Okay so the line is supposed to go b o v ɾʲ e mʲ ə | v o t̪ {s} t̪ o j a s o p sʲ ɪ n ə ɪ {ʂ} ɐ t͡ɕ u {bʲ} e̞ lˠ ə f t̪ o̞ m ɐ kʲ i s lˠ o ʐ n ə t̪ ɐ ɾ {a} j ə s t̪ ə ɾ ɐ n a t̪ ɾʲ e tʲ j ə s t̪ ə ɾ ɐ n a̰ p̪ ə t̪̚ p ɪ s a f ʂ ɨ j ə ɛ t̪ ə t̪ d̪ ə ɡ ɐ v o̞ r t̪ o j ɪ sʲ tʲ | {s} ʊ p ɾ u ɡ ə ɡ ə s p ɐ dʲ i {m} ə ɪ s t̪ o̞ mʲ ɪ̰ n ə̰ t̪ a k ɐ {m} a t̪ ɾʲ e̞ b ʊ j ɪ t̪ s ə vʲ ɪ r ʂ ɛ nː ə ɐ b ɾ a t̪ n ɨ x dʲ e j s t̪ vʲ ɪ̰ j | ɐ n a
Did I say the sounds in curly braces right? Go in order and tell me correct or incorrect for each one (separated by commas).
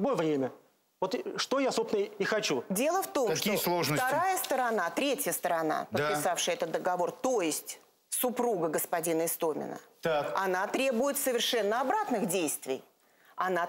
incorrect, incorrect, incorrect, correct, correct, incorrect, incorrect